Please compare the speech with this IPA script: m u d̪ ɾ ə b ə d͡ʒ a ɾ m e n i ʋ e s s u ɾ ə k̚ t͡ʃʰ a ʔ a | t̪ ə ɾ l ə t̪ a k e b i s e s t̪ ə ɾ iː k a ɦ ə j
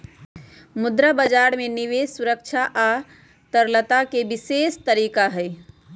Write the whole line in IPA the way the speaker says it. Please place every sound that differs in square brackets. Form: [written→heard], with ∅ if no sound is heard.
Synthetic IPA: m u d̪ ɾ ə b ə d͡ʒ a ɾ m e n i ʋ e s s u ɾ ə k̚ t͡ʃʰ a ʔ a | t̪ ə ɾ l ə t̪ a k e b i s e s t̪ ə ɾ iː k a ɦ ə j